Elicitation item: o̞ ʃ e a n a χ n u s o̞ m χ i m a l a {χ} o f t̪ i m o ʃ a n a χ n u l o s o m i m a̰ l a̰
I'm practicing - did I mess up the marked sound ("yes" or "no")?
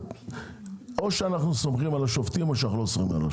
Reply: yes